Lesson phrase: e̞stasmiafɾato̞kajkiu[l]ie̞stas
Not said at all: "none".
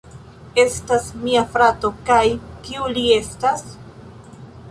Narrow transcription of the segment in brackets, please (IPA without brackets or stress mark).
l